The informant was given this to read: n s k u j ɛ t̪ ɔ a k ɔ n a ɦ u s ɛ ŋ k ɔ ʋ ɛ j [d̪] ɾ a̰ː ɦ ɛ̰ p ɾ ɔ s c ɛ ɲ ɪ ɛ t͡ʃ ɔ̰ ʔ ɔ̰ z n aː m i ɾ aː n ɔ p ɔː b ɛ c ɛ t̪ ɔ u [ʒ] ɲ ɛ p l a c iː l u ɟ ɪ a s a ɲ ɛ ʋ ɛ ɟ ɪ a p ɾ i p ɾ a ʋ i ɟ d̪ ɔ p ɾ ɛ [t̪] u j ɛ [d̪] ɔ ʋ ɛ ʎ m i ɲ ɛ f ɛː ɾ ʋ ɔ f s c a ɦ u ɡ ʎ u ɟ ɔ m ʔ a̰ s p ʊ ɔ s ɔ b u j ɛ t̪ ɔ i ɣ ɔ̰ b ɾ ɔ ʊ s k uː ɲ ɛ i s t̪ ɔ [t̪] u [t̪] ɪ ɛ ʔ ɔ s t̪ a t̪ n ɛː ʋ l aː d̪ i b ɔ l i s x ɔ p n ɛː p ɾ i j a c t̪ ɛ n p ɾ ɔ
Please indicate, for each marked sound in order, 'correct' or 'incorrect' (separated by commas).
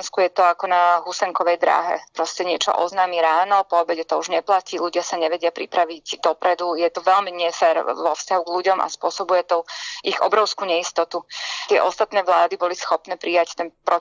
correct, correct, incorrect, incorrect, correct, correct